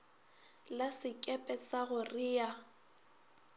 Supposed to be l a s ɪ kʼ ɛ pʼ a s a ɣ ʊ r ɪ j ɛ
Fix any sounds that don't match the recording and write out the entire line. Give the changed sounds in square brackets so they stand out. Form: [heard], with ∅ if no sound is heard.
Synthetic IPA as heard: l a s ɪ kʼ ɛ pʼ [ɛ] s a ɣ ʊ r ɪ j [a]